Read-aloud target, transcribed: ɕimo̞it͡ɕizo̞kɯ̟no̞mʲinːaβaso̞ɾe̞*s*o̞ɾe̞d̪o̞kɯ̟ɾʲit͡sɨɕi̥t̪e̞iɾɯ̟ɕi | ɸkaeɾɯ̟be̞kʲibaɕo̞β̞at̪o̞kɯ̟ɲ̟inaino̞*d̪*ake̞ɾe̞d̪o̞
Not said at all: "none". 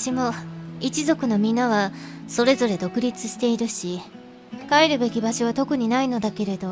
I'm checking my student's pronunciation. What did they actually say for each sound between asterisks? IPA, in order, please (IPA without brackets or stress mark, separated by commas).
z, d̪